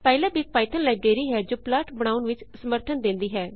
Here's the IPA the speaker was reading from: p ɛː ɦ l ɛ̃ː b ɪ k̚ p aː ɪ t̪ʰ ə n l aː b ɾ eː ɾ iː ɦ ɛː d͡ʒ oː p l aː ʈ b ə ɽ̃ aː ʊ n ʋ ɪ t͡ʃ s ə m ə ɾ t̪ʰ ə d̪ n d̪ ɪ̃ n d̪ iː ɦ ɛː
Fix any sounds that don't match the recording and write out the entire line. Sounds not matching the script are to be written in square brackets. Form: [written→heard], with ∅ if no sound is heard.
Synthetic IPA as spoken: p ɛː [ɦ→∅] l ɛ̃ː b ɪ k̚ p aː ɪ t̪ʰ ə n l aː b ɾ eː ɾ iː ɦ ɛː d͡ʒ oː p l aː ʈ b ə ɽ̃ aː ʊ n ʋ ɪ t͡ʃ s ə m ə ɾ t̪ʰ ə [d̪→∅] n d̪ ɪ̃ n d̪ iː ɦ ɛː